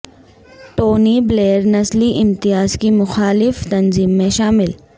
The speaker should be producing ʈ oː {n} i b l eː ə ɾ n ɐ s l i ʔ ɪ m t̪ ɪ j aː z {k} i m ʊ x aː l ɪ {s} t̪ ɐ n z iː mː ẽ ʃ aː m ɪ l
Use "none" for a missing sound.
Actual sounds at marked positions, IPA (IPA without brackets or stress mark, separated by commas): n, k, f